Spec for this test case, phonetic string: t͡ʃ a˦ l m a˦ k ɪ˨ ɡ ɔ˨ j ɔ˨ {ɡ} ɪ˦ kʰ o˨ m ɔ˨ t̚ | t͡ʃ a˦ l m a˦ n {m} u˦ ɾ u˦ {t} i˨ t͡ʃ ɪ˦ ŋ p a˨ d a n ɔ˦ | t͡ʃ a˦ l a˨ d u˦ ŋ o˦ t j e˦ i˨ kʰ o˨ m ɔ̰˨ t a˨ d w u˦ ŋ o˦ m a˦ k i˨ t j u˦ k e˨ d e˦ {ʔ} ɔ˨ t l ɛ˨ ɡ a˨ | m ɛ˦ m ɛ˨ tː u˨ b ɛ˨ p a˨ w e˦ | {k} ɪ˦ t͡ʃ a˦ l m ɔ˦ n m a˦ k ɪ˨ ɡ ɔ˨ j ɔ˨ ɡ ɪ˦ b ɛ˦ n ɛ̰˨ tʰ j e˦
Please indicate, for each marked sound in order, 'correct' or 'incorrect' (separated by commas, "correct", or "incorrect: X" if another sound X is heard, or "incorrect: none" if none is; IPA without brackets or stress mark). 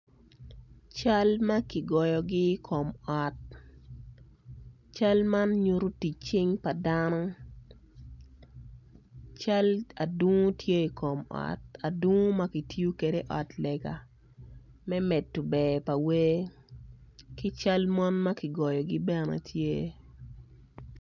correct, incorrect: ɲ, correct, correct, correct